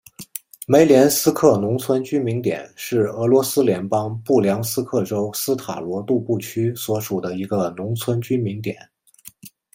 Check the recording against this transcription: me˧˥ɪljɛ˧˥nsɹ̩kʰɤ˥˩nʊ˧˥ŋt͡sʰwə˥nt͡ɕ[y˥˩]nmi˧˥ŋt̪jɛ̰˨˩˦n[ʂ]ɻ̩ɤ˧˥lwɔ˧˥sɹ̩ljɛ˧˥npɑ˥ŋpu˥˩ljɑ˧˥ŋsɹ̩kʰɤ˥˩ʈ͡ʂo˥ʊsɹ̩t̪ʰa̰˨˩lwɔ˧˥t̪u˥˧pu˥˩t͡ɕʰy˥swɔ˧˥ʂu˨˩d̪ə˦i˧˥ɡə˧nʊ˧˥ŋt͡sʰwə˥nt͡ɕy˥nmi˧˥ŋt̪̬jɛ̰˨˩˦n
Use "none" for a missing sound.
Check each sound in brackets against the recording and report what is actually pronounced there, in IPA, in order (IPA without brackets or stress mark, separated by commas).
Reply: y˥, ʂ